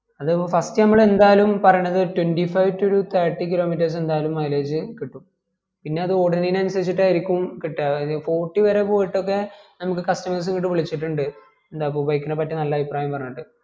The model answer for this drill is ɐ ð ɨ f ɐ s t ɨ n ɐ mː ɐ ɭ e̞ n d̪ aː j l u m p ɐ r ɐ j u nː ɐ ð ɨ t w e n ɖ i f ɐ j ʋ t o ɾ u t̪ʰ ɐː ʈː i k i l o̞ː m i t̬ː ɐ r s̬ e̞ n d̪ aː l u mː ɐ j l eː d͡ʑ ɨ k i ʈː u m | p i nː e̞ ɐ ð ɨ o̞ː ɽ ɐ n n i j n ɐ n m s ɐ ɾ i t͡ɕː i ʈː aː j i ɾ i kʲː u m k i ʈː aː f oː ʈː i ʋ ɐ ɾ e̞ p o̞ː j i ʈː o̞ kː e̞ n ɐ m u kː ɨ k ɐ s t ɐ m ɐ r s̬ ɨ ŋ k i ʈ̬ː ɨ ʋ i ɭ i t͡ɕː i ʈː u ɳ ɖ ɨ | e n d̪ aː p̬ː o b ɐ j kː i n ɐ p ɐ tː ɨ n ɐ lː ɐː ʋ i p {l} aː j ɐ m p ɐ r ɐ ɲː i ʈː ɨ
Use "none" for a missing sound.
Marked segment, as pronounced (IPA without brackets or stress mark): r